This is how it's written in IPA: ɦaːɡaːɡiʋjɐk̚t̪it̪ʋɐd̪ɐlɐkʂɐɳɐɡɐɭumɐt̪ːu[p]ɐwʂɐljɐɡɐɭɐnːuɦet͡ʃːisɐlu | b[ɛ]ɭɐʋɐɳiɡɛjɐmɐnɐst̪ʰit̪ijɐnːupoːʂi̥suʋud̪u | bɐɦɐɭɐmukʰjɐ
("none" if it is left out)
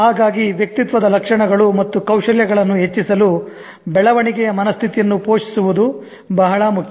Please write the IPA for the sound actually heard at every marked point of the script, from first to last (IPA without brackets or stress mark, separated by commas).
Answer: k, ɛ